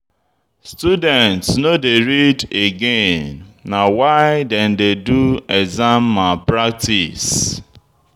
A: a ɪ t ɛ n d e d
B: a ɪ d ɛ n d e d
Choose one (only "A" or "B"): B